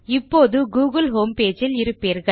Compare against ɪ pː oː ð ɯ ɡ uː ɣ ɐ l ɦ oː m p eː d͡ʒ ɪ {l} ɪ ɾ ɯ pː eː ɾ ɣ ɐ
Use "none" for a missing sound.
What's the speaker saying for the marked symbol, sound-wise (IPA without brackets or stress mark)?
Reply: l